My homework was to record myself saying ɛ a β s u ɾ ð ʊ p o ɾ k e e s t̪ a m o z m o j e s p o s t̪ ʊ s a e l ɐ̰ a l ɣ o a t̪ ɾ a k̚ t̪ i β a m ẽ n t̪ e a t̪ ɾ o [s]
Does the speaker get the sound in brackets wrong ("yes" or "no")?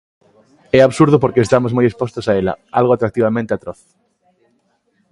yes